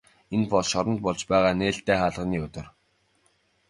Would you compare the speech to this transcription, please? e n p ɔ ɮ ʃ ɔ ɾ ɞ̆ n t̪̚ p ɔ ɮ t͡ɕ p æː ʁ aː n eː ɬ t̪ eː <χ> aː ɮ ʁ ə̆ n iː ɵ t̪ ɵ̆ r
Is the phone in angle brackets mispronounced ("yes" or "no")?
no